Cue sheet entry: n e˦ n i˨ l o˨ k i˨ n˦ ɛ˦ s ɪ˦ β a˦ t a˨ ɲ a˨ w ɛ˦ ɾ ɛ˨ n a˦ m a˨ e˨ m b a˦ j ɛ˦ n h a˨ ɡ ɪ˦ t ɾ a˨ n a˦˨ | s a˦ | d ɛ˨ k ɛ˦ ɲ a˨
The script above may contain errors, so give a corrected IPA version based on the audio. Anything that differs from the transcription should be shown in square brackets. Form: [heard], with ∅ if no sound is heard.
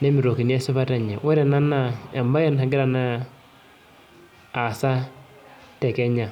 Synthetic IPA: n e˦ [m] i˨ [ɾ] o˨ k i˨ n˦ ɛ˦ s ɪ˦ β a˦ t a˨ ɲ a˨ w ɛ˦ ɾ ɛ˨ n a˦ [n] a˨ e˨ m b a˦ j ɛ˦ n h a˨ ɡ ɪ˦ [∅] ɾ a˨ n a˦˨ | s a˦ | [t] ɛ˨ k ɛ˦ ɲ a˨